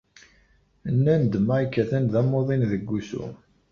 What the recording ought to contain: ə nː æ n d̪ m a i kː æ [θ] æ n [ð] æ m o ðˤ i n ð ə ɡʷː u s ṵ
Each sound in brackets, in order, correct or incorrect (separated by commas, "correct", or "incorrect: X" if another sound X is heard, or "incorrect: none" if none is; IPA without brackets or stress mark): correct, correct